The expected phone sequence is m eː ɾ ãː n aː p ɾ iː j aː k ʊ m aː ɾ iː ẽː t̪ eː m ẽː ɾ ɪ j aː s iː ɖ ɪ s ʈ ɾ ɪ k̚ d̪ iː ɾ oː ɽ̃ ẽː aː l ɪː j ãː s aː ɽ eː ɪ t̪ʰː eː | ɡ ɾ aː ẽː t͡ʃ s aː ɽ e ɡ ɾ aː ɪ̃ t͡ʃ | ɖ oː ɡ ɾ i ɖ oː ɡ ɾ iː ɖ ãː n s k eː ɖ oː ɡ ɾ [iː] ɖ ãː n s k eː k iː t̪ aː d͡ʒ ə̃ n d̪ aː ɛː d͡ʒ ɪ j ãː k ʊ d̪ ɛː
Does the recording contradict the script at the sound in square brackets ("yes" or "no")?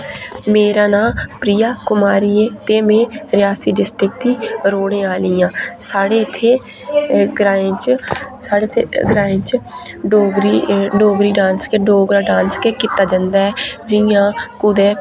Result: yes